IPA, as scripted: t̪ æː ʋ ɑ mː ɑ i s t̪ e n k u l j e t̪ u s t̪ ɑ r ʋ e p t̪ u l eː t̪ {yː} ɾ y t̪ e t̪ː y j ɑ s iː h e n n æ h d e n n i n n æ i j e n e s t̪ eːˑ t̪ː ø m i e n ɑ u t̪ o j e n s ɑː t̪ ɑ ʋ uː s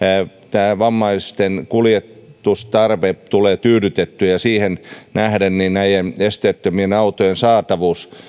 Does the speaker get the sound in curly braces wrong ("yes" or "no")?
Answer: no